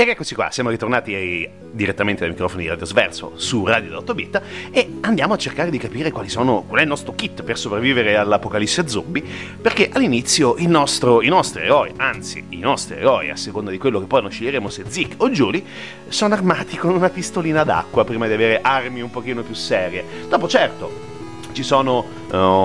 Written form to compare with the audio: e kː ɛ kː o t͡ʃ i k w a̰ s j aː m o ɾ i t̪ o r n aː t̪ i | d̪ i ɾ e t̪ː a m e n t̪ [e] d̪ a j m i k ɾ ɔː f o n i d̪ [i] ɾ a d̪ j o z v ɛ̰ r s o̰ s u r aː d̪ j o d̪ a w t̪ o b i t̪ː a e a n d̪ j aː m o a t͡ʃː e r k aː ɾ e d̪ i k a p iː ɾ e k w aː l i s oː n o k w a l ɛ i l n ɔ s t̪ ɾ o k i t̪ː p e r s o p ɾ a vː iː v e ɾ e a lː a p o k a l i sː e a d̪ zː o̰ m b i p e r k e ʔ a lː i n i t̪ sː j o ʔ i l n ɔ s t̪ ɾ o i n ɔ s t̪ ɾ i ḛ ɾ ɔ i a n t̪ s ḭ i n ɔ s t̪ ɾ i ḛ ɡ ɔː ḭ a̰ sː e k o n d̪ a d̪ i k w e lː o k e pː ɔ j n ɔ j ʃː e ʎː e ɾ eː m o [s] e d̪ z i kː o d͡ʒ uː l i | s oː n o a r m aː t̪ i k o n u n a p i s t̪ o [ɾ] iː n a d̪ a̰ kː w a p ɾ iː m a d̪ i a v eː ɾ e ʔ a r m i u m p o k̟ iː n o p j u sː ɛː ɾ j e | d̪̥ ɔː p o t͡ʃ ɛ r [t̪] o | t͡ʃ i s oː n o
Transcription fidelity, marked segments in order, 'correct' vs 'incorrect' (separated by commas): correct, correct, correct, incorrect, correct